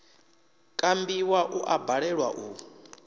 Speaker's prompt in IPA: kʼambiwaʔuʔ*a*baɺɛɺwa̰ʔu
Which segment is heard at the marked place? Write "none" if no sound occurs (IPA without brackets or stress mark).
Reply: a